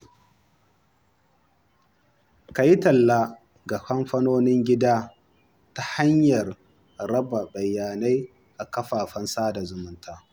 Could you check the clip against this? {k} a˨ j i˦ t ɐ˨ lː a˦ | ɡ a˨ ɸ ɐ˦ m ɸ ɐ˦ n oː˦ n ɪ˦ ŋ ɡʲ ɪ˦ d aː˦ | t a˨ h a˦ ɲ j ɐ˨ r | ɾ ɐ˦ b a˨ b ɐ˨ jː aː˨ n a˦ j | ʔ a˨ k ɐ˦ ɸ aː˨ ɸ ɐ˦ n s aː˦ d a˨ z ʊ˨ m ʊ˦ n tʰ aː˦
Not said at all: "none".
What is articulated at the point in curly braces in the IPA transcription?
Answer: k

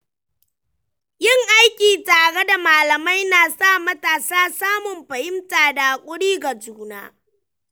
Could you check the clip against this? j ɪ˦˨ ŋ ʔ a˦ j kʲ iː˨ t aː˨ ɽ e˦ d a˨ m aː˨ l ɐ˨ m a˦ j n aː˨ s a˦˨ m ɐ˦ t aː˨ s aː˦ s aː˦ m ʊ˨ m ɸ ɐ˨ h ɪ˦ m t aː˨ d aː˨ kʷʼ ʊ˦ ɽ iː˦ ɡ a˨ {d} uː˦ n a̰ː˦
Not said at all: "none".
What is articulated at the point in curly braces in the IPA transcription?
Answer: d͡ʒ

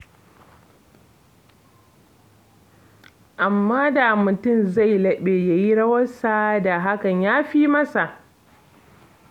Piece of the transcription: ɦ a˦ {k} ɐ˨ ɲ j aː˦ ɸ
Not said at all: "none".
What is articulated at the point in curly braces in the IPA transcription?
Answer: k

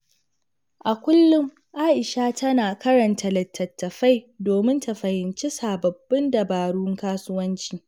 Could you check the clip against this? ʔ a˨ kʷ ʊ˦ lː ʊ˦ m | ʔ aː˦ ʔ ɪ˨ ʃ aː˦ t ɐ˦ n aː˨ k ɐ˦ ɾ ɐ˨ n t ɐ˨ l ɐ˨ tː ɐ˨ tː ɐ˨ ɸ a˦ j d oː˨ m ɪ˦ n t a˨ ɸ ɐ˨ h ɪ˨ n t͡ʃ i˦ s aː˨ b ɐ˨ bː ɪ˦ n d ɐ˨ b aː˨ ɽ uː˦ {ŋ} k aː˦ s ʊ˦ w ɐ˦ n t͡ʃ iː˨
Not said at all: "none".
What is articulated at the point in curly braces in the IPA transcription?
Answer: ŋ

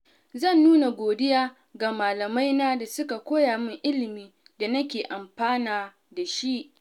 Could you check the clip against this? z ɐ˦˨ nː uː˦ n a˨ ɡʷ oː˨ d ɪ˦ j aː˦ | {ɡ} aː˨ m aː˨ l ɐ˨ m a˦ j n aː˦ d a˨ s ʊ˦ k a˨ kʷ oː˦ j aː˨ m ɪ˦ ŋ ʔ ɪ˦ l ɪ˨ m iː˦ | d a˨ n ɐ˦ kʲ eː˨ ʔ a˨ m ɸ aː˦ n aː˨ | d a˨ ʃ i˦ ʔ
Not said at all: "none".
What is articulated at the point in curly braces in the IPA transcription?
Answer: ɡ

